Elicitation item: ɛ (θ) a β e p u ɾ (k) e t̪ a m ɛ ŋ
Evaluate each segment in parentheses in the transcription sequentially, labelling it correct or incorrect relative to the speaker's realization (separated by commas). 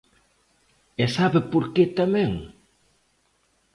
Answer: incorrect, correct